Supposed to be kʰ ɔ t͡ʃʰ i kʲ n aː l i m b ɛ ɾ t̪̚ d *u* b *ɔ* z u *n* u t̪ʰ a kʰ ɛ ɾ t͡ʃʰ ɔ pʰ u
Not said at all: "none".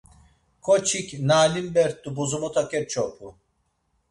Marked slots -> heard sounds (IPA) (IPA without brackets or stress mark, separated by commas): u, u, m